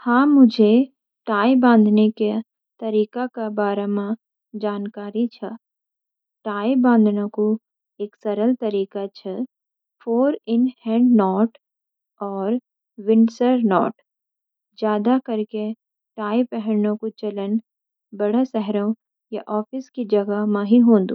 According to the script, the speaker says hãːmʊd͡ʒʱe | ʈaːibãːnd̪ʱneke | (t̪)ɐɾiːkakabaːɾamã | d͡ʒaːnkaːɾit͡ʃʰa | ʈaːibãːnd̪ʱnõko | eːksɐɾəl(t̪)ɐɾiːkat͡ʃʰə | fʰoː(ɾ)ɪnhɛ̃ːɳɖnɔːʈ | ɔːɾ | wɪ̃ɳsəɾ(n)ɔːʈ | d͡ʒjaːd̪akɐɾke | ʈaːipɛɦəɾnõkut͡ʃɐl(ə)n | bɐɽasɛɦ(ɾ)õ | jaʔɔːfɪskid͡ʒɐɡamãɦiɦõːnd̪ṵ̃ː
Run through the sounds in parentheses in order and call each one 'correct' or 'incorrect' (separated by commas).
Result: correct, correct, correct, correct, correct, correct